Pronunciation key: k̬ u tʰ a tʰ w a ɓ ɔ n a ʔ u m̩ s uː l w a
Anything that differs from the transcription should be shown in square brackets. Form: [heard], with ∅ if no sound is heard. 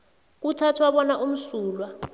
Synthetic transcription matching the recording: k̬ u tʰ a tʰ w a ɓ ɔ n a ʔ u m̩ s uː l w a